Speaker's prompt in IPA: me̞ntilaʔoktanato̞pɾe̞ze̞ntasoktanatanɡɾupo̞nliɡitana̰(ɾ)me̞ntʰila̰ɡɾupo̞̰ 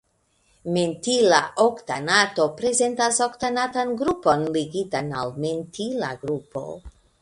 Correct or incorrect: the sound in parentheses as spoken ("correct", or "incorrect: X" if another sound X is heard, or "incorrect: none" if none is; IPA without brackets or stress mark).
incorrect: l